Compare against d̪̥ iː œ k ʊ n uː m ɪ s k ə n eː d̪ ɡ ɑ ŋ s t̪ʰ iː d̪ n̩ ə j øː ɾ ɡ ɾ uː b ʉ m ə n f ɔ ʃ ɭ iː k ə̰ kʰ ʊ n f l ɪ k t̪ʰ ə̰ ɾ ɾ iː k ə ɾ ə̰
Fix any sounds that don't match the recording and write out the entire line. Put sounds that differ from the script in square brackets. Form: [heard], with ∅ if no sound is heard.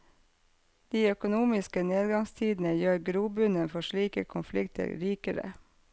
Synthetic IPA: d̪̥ iː œ k ʊ n uː m ɪ s k ə n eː d̪ ɡ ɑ ŋ s t̪ʰ iː d̪ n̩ ə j øː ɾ ɡ ɾ uː b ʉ [n] ə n f ɔ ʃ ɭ iː k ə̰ kʰ ʊ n f l ɪ k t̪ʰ ə̰ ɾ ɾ iː k ə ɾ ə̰